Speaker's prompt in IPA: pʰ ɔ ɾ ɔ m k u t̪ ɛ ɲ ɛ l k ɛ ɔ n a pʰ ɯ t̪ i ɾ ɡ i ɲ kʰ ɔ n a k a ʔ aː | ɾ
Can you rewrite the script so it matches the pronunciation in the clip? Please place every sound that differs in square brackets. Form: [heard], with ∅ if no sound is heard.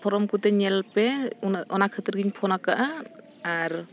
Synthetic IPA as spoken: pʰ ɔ ɾ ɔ m k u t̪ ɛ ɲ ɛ l [p] ɛ ɔ n a [kʰ] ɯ t̪ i ɾ ɡ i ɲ [pʰ] ɔ n a k a ʔ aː | ɾ